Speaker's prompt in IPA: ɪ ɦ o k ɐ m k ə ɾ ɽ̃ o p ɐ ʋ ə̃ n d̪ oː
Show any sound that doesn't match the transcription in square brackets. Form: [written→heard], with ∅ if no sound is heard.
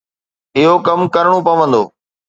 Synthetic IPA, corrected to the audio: ɪ ɦ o k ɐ m k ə ɾ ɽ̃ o p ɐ ʋ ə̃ n d̪ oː